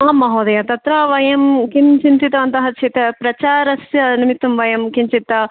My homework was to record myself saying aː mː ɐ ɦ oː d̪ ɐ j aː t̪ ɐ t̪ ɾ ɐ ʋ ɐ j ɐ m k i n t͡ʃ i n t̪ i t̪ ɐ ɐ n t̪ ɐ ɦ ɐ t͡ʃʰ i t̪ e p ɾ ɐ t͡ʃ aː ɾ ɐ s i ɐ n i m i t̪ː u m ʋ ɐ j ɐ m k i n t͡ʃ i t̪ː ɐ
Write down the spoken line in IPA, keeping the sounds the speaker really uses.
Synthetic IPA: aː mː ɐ ɦ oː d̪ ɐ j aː t̪ ɐ t̪ ɾ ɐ ʋ ɐ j ɐ m k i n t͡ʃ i n t̪ i t̪ ɐ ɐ n t̪ ɐ ɦ ɐ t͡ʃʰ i t̪ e p ɾ ɐ t͡ʃ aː ɾ ɐ s j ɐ n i m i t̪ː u m ʋ ɐ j ɐ m k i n t͡ʃ i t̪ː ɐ